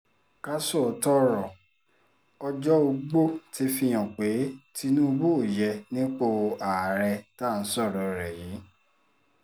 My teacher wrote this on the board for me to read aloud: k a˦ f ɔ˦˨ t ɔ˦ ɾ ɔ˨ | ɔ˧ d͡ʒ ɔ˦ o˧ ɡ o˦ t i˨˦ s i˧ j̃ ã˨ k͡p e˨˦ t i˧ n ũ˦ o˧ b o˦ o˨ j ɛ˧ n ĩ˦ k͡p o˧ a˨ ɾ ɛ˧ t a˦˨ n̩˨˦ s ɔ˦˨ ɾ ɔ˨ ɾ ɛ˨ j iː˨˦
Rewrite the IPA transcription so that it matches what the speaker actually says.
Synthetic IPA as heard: k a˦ s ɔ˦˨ t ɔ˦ ɾ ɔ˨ | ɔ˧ d͡ʒ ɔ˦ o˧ ɡ͡b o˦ t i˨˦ f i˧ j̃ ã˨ k͡p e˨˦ t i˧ n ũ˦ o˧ b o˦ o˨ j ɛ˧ n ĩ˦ k͡p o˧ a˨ ɾ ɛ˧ t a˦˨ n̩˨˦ s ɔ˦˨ ɾ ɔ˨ ɾ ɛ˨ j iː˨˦